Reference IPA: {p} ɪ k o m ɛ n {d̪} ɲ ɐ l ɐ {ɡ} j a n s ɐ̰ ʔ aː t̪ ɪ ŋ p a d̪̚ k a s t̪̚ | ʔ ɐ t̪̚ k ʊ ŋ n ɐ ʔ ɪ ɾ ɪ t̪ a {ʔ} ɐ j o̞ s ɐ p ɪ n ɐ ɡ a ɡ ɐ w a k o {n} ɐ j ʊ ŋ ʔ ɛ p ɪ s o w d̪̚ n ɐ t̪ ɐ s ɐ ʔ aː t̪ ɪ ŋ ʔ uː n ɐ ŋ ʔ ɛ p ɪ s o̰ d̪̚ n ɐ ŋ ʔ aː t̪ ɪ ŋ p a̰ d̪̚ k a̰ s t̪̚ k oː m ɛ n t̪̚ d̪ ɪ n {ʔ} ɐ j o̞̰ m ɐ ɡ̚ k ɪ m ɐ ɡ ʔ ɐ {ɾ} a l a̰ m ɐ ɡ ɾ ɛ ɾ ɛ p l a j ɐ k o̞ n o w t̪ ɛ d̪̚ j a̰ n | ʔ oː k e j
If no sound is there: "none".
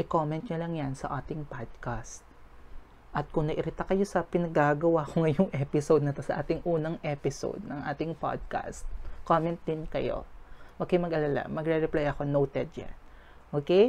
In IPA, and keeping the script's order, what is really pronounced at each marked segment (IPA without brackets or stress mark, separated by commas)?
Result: ʔ, t̪, ŋ, k, ŋ, k, l